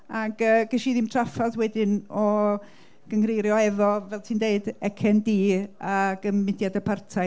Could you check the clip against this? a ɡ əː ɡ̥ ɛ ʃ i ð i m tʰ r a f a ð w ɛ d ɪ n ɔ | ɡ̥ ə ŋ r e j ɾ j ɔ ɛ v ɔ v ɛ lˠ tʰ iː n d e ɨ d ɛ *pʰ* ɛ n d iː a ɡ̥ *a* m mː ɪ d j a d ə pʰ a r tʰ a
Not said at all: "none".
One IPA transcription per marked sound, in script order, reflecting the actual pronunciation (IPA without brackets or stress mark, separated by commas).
kʰ, ə